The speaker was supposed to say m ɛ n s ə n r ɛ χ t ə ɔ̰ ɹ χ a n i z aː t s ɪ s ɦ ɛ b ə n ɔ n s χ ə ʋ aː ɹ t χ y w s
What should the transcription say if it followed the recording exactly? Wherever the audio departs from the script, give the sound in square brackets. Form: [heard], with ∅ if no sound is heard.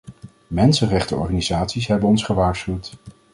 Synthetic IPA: m ɛ n s ə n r ɛ χ t ə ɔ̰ ɹ χ a n i z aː t s [i] s ɦ ɛ b ə n ɔ n s χ ə ʋ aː ɹ [s] χ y w [t]